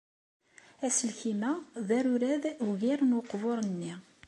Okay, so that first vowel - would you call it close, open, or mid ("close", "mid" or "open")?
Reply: open